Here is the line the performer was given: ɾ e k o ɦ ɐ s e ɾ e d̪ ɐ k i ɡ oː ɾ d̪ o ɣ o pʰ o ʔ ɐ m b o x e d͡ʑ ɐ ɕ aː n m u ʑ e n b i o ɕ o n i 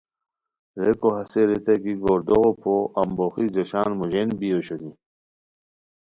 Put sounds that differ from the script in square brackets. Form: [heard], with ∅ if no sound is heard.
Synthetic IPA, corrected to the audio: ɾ e k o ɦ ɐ s e ɾ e [t̪] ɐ k i ɡ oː ɾ d̪ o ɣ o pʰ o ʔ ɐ m b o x [i] d͡ʑ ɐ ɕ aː n m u ʑ e n b i o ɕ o n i